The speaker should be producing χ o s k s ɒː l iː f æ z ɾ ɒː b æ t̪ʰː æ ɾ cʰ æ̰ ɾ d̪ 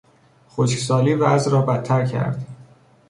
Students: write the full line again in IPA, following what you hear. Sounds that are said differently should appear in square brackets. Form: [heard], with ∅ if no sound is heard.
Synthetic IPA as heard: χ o [ʃ] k s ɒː l iː [v] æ z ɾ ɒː b æ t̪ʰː æ ɾ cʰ æ̰ ɾ d̪